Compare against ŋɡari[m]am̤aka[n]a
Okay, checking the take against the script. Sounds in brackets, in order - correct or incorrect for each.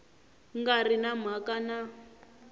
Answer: incorrect: n, correct

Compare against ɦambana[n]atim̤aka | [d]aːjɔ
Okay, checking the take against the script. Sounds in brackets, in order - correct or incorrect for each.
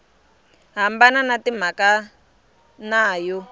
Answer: correct, incorrect: n

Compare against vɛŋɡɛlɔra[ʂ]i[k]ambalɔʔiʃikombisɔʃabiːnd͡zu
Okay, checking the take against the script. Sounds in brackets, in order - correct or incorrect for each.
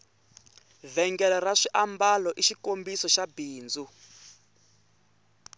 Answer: correct, incorrect: ʔ

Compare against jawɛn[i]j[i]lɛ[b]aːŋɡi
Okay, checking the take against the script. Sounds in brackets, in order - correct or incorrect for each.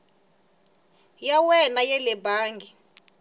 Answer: incorrect: a, incorrect: ɛ, correct

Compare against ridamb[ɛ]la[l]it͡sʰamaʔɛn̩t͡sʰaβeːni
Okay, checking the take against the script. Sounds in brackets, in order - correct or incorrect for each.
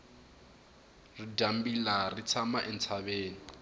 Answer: incorrect: i, incorrect: r

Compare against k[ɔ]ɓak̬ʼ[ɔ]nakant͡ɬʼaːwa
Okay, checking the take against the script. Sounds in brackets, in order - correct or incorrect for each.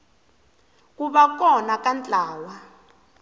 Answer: incorrect: u, correct

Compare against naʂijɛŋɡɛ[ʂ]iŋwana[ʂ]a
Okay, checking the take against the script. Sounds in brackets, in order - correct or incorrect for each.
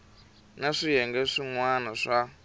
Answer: correct, correct

